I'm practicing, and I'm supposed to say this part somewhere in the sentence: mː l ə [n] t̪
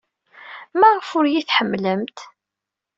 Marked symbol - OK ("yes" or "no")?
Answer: no